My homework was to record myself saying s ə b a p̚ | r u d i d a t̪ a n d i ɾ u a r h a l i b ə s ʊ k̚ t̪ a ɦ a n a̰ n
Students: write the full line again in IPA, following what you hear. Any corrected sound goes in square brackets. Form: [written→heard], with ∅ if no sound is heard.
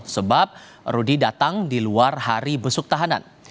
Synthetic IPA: s ə b a p̚ | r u d i d a t̪ a [n→ŋ] d i [ɾ→l] u a r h a [l→ɾ] i b ə s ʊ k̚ t̪ a ɦ a n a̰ n